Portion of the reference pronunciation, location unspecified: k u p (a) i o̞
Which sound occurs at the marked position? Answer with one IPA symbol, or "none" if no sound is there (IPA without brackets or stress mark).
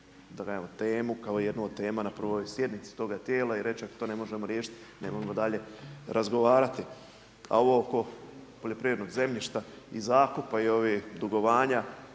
a